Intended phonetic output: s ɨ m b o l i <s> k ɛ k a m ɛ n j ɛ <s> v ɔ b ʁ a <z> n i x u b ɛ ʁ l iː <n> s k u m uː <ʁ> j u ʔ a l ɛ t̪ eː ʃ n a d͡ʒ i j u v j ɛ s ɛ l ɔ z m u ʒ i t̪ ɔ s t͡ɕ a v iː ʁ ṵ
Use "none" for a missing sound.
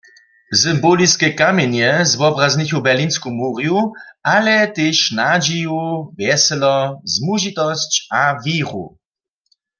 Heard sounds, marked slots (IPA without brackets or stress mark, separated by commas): s, z, z, n, ʁ